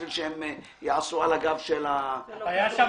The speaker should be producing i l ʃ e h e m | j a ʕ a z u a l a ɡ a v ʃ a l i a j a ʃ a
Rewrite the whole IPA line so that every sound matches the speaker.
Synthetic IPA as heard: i l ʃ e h e m | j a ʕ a s u a l a ɡ a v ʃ e l a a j a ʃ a